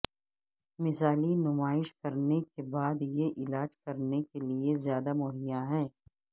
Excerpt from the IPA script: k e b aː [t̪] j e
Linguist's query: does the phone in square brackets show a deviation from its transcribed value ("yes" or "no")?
yes